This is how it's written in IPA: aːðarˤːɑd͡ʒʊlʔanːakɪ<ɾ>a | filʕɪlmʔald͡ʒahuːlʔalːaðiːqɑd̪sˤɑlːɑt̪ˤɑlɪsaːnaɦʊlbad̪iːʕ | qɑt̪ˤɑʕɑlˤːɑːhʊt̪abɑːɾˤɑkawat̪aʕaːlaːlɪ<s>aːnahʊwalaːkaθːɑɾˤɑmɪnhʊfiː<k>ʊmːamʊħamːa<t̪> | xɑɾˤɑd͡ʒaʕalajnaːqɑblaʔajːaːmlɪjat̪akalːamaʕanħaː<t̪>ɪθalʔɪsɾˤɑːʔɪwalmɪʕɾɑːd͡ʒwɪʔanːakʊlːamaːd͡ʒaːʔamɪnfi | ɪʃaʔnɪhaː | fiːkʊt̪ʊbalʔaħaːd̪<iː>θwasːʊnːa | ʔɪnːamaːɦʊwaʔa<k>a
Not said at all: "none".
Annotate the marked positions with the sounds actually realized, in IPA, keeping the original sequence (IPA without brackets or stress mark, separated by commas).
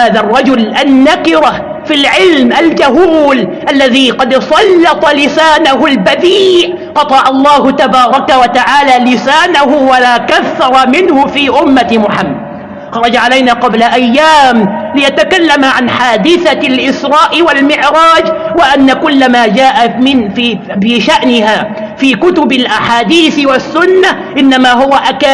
ɾ, s, ʔ, d̪, d̪, iː, k